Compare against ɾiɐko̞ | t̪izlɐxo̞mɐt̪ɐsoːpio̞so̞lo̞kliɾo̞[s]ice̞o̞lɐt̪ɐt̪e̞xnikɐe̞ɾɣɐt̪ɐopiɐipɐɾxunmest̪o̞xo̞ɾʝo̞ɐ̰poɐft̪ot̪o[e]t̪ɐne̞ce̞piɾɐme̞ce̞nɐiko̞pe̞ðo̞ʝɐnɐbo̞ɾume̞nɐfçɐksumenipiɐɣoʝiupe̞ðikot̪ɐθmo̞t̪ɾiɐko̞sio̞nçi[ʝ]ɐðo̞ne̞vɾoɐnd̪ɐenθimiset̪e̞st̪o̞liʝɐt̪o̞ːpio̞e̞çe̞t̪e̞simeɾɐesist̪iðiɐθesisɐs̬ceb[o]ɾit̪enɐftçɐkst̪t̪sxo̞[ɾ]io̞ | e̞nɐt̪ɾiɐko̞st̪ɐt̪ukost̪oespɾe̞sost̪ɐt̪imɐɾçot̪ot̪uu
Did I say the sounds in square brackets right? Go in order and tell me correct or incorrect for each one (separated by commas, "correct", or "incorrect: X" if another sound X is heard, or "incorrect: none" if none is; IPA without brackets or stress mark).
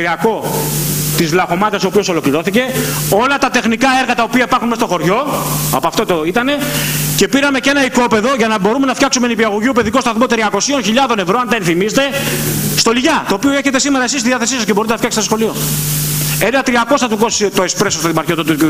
incorrect: θ, incorrect: i, incorrect: ʎ, correct, incorrect: l